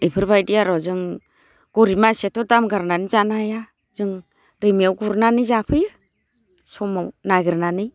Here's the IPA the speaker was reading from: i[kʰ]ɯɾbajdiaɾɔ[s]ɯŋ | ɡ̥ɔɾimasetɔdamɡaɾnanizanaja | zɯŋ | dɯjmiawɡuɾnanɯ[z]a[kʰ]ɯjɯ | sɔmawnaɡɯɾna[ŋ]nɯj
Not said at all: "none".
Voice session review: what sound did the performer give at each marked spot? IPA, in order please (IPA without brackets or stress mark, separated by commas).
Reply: pʰ, z, z, pʰ, none